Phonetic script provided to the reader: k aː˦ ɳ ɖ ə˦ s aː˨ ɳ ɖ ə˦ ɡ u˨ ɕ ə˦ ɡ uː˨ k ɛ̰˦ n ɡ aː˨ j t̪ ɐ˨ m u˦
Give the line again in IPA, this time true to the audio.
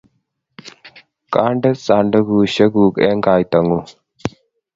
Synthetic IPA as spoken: k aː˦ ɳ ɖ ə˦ s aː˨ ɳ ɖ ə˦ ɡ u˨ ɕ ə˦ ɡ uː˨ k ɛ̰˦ ŋ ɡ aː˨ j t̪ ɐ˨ ŋ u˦

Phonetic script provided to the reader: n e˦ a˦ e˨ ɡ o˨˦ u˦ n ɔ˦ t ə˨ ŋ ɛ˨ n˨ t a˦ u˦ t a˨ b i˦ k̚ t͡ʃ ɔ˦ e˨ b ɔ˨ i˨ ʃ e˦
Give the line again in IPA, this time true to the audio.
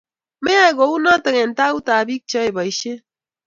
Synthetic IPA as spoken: m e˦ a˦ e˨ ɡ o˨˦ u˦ n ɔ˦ t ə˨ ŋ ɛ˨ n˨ t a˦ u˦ t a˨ b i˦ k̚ t͡ʃ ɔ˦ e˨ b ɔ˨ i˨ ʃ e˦

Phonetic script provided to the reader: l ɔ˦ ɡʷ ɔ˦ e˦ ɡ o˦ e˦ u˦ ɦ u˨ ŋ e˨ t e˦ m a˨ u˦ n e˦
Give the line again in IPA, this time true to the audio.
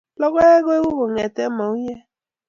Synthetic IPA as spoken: l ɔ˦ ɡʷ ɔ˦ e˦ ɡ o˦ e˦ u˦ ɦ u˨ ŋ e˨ t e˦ m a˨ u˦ ɲ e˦

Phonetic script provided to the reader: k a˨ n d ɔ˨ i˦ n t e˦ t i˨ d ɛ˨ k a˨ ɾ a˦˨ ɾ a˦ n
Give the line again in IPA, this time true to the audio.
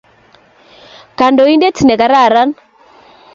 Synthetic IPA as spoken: k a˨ n d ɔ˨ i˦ n d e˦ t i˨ n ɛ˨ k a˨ ɾ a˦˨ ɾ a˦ n

